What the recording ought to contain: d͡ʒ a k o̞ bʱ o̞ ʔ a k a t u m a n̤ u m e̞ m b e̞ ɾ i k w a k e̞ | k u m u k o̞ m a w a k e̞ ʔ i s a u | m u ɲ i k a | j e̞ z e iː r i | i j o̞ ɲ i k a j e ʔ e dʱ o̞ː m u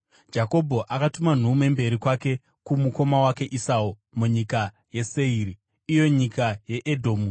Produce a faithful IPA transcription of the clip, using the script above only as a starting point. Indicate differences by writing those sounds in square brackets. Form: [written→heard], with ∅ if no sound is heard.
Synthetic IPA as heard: d͡ʒ a k o̞ bʱ o̞ ʔ a k a t u m a n̤ u m e̞ m b e̞ ɾ i k w a k e̞ | k u m u k o̞ m a w a k e̞ ʔ i s a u | m u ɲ i k a | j e̞ [z→s] e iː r i | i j o̞ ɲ i k a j e ʔ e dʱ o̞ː m u